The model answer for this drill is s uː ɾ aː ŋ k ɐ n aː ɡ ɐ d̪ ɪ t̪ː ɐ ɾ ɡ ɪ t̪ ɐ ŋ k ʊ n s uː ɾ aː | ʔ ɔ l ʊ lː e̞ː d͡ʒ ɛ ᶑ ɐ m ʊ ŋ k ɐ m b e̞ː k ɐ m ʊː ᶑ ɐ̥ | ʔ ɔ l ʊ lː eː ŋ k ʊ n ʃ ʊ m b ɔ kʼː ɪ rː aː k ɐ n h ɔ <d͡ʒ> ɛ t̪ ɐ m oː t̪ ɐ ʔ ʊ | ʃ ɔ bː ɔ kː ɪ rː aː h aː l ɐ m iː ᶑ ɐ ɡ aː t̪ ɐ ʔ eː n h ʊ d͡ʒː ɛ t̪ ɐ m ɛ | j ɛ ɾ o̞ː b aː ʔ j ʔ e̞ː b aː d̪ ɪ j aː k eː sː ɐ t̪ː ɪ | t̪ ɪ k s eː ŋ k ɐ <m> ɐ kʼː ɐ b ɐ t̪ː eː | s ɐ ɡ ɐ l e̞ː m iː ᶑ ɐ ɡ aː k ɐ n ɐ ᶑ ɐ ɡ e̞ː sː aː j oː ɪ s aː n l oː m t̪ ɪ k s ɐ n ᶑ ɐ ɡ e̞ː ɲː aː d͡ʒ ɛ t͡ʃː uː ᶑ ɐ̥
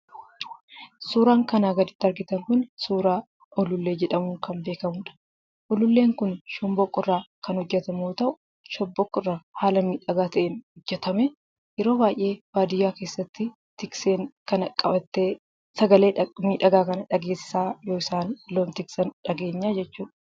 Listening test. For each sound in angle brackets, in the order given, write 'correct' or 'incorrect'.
incorrect: d͡ʒː, incorrect: n

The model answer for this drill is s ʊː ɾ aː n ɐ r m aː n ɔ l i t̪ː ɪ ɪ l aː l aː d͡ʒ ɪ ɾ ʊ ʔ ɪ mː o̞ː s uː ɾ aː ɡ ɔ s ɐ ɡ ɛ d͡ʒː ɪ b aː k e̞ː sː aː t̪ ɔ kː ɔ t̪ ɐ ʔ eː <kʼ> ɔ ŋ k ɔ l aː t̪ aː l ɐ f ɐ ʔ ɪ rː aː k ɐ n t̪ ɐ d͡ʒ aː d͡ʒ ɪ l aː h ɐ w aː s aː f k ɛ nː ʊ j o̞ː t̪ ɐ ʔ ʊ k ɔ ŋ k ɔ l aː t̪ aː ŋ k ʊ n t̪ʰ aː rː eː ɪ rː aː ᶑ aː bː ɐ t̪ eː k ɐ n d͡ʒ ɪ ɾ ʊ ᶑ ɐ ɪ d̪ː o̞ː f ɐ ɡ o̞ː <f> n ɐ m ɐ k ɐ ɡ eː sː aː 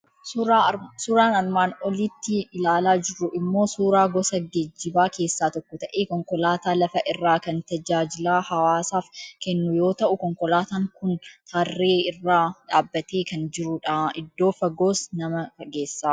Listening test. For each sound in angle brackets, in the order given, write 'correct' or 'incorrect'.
incorrect: k, incorrect: s

